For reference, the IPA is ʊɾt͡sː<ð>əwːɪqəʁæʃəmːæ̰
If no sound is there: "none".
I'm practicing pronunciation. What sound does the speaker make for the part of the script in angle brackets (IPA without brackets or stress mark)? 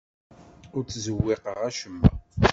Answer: z